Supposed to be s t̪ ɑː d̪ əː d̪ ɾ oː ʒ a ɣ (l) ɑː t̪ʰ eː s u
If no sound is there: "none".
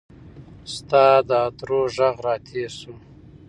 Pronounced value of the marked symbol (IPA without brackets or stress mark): ɾ